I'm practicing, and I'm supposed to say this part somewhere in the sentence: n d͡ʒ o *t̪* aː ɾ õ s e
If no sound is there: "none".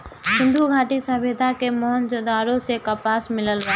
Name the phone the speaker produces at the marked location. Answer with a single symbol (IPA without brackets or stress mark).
d̪